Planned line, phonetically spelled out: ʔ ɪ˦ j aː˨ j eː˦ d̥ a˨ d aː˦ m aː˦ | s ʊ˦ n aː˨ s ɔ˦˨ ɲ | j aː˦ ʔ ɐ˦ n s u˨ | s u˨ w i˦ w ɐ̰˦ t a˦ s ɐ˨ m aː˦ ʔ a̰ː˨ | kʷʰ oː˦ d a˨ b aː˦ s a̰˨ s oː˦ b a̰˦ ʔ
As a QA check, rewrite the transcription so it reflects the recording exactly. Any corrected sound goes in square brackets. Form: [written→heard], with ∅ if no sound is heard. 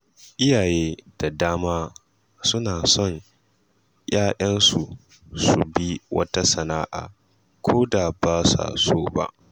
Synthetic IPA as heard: ʔ ɪ˦ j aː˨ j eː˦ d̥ a˨ d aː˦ m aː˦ | s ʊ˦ n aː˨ s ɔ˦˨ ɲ | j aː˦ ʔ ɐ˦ n s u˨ | s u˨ [w→b] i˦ w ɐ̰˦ t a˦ s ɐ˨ [m→n] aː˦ ʔ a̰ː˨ | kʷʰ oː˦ d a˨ b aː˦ s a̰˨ s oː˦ b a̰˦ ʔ